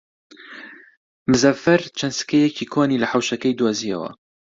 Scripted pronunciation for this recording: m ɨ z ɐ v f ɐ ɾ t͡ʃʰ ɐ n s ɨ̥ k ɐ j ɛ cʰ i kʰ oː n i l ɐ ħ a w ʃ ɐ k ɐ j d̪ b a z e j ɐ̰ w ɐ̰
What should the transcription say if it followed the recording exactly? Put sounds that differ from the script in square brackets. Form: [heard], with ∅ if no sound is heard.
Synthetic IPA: m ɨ z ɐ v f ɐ ɾ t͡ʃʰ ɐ n s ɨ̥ k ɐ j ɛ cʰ i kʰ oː n i l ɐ ħ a w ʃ ɐ k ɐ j d̪ [w] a z [i] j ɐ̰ w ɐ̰